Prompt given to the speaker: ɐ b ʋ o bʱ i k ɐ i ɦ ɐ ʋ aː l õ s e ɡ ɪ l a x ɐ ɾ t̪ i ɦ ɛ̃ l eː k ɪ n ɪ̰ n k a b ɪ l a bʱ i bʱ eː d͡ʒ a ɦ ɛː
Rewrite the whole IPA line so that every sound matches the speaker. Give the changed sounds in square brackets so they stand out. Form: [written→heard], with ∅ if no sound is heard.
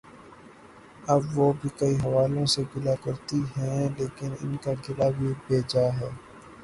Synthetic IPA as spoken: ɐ b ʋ o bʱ i k ɐ i ɦ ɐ ʋ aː l õ s e ɡ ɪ l a [x→k] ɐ ɾ t̪ i ɦ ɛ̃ l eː k ɪ n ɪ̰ n k a [b→ɡ] ɪ l a bʱ i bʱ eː d͡ʒ a ɦ ɛː